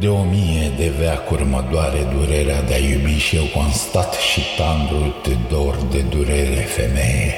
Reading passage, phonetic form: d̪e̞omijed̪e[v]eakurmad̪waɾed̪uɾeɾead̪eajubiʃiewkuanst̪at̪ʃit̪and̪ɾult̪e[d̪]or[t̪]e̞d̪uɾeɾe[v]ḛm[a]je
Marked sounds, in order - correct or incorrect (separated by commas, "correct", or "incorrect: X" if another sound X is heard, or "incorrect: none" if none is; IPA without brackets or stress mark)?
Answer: correct, correct, incorrect: d̪, incorrect: f, incorrect: e